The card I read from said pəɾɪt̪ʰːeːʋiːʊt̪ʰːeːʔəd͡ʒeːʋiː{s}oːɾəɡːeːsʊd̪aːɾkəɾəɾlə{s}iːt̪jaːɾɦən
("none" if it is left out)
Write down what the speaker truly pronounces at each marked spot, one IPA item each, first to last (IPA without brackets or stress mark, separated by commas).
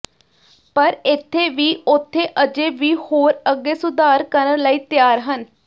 h, none